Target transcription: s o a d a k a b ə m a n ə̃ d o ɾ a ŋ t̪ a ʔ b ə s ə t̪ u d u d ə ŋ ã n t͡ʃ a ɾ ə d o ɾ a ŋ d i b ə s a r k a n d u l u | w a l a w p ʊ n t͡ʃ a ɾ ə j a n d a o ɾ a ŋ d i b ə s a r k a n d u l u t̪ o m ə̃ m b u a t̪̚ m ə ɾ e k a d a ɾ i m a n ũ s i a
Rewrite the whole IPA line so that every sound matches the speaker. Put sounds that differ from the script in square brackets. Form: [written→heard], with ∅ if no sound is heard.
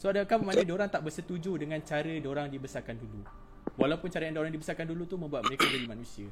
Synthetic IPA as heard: s o a d a k a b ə m a n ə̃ d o ɾ a ŋ t̪ a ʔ b ə s ə t̪ u [d→d͡ʒ] u d ə ŋ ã n t͡ʃ a ɾ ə d o ɾ a ŋ d i b ə s a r k a n d u l u | w a l a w p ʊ n t͡ʃ a ɾ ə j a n d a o ɾ a ŋ d i b ə s a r k a n d u l u t̪ [o→u] m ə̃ m b u a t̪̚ m ə ɾ e k a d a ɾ i m a n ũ s i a